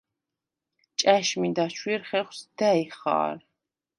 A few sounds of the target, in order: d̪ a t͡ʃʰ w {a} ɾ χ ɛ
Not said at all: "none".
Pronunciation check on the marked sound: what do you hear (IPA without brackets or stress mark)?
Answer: i